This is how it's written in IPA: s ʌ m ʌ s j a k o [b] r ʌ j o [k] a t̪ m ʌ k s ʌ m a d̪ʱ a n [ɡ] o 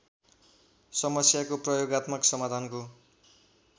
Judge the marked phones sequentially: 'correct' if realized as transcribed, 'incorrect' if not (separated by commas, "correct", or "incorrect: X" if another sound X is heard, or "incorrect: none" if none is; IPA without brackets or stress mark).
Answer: incorrect: p, incorrect: ɡ, incorrect: k